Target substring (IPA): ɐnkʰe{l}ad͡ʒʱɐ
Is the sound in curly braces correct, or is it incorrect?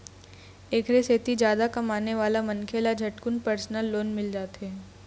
correct